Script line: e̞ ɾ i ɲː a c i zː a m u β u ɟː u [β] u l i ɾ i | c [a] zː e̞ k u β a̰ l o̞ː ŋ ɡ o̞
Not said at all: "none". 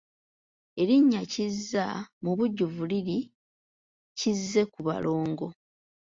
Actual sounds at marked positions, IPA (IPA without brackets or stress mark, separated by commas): v, i